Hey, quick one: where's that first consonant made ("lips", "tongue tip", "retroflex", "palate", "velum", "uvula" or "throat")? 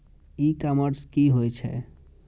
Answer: velum